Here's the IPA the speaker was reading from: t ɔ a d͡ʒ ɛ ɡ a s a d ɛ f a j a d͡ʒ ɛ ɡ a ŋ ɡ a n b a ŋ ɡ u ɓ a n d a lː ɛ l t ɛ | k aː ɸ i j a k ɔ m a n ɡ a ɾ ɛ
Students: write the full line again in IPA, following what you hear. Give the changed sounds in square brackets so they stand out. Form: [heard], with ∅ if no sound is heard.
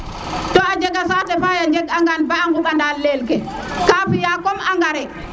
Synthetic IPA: t ɔ a d͡ʒ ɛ ɡ a s a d ɛ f a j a d͡ʒ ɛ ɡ a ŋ ɡ a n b a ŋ ɡ u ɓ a n d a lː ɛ l [k] ɛ | k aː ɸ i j a k ɔ m a [ŋ] ɡ a ɾ ɛ